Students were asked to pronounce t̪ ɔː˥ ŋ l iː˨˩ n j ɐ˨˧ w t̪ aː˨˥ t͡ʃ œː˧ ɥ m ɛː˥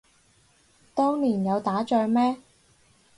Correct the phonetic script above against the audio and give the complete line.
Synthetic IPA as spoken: t̪ ɔː˥ ŋ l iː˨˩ n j ɐ˨˧ w t̪ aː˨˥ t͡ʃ œː˧ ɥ m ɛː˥